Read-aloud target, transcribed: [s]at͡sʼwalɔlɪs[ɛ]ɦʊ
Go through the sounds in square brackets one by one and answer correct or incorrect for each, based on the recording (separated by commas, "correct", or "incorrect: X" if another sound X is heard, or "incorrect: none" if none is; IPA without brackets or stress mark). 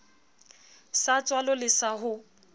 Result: correct, incorrect: a